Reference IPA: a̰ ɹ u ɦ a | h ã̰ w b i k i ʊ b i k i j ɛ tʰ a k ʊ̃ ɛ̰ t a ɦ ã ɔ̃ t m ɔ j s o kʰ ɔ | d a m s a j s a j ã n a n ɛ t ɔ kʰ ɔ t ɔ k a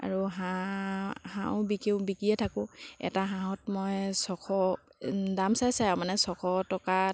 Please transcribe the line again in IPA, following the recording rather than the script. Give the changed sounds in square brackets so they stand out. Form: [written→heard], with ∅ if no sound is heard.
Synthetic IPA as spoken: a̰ ɹ u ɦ a | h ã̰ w b i k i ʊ b i k i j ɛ tʰ a k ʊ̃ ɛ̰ t a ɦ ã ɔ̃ t m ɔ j s [o→ɔ] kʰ ɔ | d a m s a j s a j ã [n→m] a n ɛ [t→s] ɔ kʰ ɔ t ɔ k a